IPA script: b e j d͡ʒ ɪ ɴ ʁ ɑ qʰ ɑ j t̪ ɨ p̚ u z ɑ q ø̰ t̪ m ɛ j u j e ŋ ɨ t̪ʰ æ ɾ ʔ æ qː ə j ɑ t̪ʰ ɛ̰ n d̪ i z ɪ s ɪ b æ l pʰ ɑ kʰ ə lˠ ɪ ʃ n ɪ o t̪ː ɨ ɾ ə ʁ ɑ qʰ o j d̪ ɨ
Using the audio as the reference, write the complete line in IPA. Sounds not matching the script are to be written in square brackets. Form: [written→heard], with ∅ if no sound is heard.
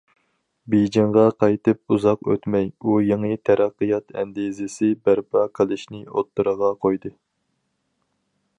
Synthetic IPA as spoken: b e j d͡ʒ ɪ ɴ ʁ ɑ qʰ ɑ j t̪ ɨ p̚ u z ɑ q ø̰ t̪ m ɛ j u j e ŋ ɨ t̪ʰ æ ɾ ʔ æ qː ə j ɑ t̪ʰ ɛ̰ n d̪ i z ɪ s ɪ b æ [l→ɾ] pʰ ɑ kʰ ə lˠ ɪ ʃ n ɪ o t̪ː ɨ ɾ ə ʁ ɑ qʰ o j d̪ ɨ